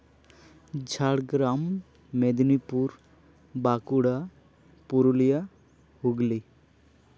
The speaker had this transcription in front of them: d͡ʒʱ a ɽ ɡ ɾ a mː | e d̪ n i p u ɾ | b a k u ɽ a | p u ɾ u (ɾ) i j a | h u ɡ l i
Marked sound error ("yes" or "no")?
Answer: yes